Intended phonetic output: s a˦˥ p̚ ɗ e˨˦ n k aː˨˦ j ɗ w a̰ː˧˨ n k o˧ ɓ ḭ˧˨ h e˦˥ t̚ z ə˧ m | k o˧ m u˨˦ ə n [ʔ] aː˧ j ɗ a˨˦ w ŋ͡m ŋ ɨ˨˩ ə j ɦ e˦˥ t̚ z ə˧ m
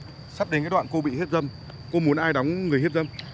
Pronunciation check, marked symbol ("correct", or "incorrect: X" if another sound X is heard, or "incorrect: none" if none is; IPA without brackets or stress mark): correct